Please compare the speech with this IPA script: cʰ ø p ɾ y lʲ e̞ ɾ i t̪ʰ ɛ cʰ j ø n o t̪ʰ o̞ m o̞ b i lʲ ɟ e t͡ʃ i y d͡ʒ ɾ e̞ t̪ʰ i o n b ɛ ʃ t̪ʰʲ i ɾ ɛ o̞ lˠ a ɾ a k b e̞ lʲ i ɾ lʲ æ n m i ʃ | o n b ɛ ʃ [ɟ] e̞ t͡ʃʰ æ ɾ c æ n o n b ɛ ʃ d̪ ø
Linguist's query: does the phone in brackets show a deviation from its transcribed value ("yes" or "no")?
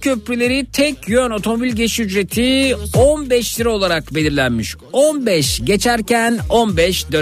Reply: no